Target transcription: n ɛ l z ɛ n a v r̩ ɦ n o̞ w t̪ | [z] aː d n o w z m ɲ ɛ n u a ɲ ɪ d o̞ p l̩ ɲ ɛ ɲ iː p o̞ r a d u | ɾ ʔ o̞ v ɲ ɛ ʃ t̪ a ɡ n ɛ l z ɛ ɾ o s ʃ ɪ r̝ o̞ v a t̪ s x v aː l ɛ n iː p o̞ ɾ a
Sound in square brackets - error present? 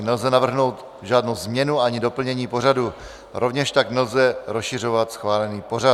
yes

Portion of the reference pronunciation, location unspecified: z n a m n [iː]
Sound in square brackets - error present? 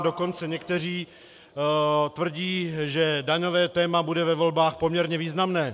yes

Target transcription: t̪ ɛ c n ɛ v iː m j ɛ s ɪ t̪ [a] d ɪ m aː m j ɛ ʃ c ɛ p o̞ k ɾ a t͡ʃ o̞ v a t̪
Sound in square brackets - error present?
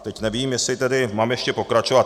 yes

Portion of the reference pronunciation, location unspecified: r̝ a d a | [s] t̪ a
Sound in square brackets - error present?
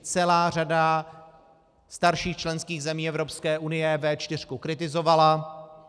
no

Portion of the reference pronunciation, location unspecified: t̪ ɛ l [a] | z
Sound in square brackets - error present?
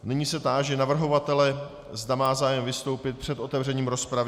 yes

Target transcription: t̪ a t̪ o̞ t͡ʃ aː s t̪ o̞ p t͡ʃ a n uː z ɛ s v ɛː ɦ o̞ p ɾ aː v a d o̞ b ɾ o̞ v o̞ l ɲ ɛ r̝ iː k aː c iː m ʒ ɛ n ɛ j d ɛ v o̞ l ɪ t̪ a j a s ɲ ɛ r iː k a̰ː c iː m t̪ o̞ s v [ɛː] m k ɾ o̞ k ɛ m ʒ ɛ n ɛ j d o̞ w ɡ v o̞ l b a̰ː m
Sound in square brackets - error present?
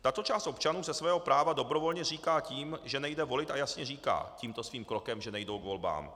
yes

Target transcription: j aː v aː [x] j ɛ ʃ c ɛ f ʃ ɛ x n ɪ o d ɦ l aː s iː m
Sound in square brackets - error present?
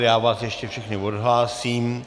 yes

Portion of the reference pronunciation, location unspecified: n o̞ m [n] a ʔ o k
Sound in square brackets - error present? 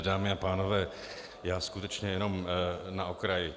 no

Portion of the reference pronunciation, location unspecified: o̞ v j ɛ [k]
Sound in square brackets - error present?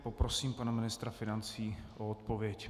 yes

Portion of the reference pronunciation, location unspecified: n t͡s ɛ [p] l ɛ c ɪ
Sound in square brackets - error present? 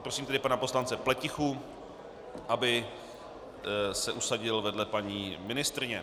no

